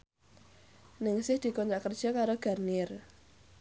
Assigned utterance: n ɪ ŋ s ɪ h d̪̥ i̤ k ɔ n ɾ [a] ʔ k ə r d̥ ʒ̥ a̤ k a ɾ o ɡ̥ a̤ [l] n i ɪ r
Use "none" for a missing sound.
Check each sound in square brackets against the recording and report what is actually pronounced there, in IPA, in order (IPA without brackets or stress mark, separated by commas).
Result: a, r